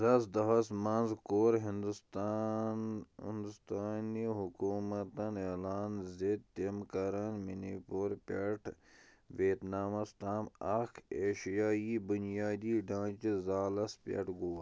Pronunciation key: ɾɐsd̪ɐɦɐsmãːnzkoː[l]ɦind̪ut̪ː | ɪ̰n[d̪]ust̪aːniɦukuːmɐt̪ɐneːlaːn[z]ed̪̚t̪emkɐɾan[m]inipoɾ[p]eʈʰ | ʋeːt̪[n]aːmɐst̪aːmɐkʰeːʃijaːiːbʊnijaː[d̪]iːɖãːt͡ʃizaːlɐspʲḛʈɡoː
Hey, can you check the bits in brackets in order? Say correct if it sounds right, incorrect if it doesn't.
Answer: incorrect: ɾ, correct, correct, correct, correct, correct, correct

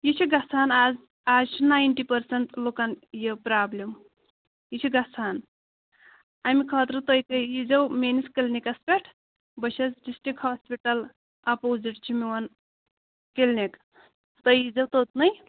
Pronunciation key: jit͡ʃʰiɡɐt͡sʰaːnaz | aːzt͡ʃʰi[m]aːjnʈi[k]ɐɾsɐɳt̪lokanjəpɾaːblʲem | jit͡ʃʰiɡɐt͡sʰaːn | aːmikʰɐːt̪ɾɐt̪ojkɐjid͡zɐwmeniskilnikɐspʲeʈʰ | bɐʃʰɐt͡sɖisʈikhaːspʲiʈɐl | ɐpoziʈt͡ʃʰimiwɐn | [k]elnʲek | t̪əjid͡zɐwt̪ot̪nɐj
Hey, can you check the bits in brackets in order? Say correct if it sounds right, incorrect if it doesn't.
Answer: incorrect: n, incorrect: p, correct

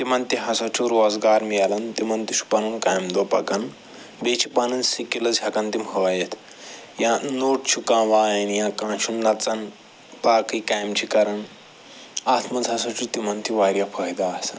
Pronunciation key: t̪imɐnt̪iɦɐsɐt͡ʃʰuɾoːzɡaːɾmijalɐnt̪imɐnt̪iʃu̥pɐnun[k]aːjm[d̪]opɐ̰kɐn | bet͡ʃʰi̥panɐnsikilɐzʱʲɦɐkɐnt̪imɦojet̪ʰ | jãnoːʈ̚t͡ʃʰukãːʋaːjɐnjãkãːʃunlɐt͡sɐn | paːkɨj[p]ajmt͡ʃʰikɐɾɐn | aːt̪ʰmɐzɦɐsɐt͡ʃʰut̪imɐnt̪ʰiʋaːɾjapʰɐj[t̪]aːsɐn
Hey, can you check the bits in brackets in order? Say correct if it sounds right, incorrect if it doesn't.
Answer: correct, correct, incorrect: k, incorrect: d̪

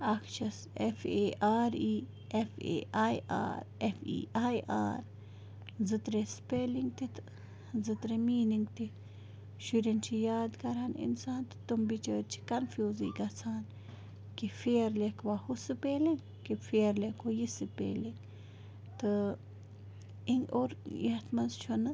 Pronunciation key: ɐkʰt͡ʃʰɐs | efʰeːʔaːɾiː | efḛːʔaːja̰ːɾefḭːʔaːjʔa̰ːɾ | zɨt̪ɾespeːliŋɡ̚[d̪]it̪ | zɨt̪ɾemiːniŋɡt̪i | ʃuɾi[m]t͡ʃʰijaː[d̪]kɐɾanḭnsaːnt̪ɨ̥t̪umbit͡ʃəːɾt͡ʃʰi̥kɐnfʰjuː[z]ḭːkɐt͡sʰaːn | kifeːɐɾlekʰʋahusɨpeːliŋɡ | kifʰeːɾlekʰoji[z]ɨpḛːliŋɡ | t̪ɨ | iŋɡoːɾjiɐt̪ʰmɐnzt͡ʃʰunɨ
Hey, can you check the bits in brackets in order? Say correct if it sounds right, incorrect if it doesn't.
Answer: incorrect: t̪, incorrect: n, correct, correct, incorrect: s

